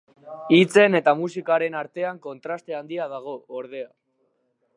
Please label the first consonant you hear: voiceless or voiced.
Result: voiceless